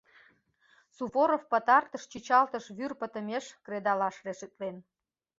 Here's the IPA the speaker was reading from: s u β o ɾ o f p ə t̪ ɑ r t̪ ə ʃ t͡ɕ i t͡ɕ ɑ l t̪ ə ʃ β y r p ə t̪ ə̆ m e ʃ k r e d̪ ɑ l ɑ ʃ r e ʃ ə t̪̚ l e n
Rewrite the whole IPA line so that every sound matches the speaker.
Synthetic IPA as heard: s u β o ɾ o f p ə t̪ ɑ r t̪ ə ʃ t͡ɕ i t͡ɕ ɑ l t̪ ə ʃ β y r p ə t̪ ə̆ m e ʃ k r e d̪ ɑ l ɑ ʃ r e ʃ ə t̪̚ l e n